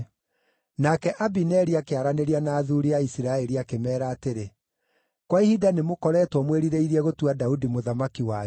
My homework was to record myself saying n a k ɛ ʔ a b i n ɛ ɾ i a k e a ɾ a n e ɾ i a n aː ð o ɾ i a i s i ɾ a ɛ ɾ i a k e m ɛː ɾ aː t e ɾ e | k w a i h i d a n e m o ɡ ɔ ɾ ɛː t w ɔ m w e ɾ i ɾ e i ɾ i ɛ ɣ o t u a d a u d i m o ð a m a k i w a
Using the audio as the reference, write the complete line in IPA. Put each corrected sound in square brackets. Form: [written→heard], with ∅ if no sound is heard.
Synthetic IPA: n a k ɛ ʔ a b i n ɛ ɾ i a k e a ɾ a n e ɾ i a n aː ð [o→u] ɾ i a i s i ɾ a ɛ ɾ i a k e m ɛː ɾ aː t e ɾ e | k w a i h i d a n e m o [ɡ→k] ɔ ɾ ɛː t w ɔ m w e ɾ i ɾ e i ɾ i ɛ ɣ o t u a d a u d i m o ð a m a k i w a